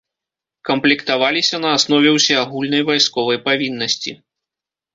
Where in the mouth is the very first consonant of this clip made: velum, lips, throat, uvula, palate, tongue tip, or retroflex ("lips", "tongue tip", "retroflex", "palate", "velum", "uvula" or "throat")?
velum